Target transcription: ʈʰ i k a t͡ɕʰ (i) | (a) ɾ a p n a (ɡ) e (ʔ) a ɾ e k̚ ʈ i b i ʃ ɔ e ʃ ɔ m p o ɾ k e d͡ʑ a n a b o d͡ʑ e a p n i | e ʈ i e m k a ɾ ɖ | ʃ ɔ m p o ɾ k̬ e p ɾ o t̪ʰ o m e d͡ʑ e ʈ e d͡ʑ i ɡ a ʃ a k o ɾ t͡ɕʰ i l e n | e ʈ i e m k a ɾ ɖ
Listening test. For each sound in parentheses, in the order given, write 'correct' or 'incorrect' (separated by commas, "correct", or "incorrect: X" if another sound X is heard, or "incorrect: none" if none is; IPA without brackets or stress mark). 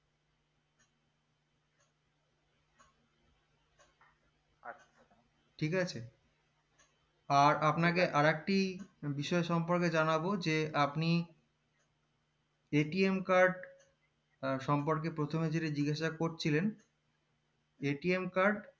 incorrect: e, correct, incorrect: k, correct